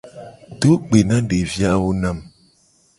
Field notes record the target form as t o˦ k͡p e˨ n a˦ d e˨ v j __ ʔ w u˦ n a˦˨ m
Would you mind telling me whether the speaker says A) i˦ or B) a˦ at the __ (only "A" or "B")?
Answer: B